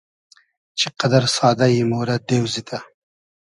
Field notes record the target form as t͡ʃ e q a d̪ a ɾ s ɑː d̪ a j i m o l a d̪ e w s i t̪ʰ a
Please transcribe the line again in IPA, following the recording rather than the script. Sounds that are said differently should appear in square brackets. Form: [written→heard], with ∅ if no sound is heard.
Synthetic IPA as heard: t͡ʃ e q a d̪ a ɾ s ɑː d̪ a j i m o [l→ɾ] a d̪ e w [s→z] i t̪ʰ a